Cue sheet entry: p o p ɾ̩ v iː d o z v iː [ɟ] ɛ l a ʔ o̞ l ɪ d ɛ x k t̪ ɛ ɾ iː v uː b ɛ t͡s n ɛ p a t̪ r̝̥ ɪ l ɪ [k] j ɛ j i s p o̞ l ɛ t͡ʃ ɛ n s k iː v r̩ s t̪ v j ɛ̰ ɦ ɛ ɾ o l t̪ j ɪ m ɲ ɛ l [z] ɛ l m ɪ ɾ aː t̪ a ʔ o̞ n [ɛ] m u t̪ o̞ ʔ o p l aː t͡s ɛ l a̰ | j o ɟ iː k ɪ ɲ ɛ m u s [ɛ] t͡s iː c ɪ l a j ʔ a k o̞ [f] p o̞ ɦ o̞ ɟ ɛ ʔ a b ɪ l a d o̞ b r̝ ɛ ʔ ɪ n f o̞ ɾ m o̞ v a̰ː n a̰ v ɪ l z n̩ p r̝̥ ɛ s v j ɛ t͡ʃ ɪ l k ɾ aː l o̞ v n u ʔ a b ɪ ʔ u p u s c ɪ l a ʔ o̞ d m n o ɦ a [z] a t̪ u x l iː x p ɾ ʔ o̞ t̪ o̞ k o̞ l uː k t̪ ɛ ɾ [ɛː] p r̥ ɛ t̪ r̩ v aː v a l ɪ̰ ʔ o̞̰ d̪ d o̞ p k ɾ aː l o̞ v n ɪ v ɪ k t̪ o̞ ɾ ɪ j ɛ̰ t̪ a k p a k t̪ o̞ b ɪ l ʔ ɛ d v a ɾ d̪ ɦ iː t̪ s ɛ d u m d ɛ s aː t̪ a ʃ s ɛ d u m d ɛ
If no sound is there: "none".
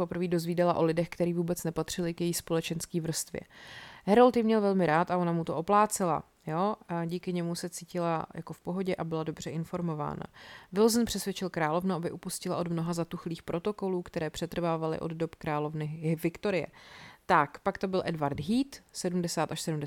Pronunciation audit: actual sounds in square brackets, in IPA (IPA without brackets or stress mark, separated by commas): d, k, v, a, ɛ, f, z, ɛː